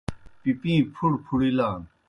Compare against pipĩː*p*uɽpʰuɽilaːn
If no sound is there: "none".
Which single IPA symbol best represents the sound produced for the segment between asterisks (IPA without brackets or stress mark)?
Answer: pʰ